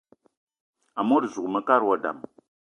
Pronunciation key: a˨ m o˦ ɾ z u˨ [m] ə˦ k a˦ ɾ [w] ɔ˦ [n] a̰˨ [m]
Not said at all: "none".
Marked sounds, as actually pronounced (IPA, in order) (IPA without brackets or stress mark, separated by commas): m, w, d, m